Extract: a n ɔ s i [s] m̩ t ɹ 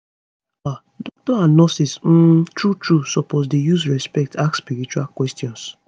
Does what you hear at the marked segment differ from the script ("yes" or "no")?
no